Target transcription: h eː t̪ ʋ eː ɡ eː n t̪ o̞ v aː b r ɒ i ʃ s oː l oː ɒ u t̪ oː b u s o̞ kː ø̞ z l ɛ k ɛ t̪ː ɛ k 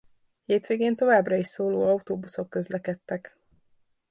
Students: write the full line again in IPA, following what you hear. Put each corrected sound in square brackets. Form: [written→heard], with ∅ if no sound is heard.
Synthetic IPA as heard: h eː t̪ ʋ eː ɡ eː n t̪ o̞ v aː b r ɒ i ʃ s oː l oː ɒ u t̪ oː b u s o̞ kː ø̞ z l ɛ k ɛ t̪ː ɛ k